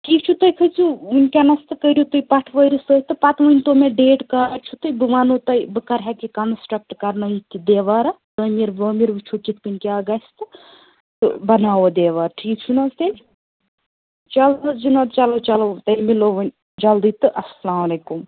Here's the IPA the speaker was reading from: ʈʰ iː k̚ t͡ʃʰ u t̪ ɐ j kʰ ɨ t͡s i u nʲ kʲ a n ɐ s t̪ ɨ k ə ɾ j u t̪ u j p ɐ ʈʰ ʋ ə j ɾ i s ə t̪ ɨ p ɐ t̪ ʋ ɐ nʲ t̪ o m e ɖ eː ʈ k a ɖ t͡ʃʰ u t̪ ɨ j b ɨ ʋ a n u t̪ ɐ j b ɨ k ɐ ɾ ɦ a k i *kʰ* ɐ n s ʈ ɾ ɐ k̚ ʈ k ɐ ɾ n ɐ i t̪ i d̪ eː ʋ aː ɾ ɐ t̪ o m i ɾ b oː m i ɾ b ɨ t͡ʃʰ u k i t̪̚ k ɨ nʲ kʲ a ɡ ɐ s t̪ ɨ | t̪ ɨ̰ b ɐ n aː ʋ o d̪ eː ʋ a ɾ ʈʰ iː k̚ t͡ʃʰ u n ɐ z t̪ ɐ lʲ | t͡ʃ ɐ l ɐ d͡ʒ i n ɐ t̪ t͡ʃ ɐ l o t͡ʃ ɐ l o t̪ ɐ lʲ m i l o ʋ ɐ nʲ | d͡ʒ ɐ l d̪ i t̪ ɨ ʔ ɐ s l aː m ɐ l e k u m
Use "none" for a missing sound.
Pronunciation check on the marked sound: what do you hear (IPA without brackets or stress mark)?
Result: k